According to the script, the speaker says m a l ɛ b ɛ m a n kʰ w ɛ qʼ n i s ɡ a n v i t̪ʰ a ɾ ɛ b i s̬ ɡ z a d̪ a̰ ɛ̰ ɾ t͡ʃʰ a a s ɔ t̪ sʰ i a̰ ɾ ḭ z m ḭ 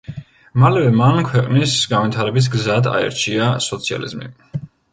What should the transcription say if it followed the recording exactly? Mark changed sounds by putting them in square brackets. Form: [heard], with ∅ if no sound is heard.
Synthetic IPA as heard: m a l ɛ [v] ɛ m a n kʰ w ɛ qʼ n i s ɡ a n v i t̪ʰ a ɾ ɛ b i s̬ ɡ z a d̪ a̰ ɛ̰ ɾ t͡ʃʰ [i] a s ɔ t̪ sʰ i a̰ [l] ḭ z m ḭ